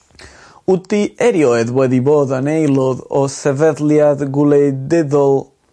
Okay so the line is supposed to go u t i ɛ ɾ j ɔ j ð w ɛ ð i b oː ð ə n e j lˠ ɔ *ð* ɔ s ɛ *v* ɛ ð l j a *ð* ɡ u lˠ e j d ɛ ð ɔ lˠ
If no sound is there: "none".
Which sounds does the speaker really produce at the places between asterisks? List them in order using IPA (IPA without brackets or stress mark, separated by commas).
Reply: ð, v, ð